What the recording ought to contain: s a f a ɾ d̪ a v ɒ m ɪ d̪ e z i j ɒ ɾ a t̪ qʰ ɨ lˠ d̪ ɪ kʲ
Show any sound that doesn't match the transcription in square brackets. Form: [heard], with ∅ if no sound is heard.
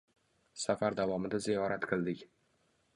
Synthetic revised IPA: s a f a ɾ d̪ a v ɒ m ɪ d̪ [a] z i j ɒ ɾ a t̪ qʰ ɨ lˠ d̪ ɪ kʲ